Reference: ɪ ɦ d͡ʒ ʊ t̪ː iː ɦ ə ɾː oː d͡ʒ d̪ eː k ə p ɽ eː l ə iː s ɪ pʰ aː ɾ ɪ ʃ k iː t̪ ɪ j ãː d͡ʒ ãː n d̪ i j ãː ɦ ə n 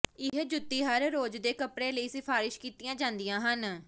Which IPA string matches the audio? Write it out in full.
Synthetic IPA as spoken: ɪ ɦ d͡ʒ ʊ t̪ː iː ɦ ə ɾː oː d͡ʒ d̪ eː k ə p ɽ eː l ə iː s ɪ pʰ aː ɾ ɪ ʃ k iː t̪ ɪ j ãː d͡ʒ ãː n d̪ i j ãː ɦ ə n